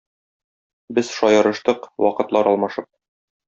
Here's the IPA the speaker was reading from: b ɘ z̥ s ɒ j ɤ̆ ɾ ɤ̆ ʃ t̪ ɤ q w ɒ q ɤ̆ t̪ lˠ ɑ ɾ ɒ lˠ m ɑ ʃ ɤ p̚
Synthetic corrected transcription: b ɘ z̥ ʃ ɒ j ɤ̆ ɾ ɤ̆ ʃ t̪ ɤ q w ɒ q ɤ̆ t̪ lˠ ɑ ɾ ɒ lˠ m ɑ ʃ ɤ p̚